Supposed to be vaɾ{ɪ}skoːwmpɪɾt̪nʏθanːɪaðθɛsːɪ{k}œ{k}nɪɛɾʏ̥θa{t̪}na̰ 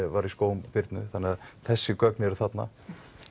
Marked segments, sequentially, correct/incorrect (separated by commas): incorrect, correct, correct, correct